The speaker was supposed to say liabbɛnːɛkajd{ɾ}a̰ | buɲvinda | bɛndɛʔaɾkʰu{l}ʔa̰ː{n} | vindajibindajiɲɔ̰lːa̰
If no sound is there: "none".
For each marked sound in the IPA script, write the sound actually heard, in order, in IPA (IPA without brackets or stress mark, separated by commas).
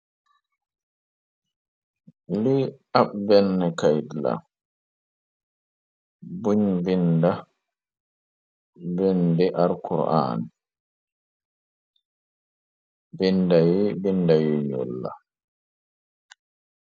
l, ɾ, n